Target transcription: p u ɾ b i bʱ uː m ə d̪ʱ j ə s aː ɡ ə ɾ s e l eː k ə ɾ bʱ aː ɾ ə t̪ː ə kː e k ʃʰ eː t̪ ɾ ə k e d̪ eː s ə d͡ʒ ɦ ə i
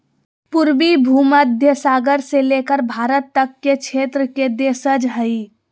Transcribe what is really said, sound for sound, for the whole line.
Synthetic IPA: p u ɾ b i bʱ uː m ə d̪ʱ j ə s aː ɡ ə ɾ s e l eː k ə ɾ bʱ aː ɾ ə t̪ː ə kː e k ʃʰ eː t̪ ɾ ə k e d̪ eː s ə d͡ʒ ɦ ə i